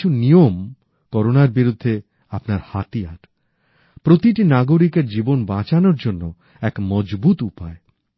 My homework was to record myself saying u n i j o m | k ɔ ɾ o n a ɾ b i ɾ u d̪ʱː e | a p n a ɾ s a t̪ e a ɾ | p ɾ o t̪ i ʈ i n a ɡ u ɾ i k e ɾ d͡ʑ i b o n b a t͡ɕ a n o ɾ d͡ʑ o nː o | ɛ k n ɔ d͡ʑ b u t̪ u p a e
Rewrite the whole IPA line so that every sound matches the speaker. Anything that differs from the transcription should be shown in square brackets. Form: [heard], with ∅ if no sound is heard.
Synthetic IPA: u n i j o m | k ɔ ɾ o n a ɾ b i ɾ u d̪ʱː e | a p n a ɾ [h] a t̪ [i] a ɾ | p ɾ o t̪ i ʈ i n a ɡ [o] ɾ i k e ɾ d͡ʑ i b o n b a t͡ɕ a n o ɾ d͡ʑ o nː o | ɛ k [m] ɔ d͡ʑ b u t̪ u p a e